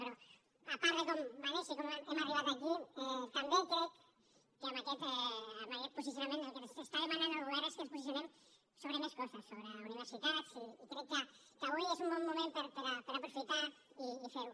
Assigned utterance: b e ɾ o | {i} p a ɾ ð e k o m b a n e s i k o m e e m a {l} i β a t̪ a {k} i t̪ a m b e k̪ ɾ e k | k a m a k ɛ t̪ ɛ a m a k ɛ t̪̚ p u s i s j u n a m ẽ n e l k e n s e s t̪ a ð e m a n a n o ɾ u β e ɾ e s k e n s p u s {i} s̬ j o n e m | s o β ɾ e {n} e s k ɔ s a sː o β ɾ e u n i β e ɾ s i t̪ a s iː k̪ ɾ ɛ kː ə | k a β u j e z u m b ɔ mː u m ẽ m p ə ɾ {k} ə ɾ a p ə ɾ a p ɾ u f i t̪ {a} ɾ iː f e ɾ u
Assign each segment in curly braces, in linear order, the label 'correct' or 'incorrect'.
incorrect: a, incorrect: r, correct, correct, incorrect: m, incorrect: p, correct

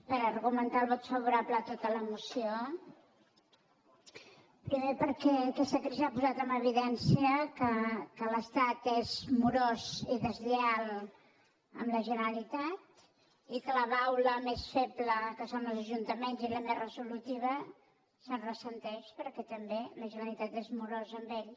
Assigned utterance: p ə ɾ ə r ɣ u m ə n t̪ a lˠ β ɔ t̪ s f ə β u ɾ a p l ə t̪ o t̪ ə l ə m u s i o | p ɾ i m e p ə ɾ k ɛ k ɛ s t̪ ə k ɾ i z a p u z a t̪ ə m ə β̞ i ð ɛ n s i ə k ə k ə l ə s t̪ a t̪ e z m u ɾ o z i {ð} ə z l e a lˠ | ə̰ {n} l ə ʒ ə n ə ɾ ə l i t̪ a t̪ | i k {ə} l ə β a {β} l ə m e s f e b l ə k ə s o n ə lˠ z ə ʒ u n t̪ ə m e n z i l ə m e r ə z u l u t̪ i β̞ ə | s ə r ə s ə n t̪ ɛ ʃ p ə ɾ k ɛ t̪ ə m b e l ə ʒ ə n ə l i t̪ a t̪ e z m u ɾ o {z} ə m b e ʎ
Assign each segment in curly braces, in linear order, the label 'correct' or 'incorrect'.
correct, incorrect: m, correct, incorrect: w, correct

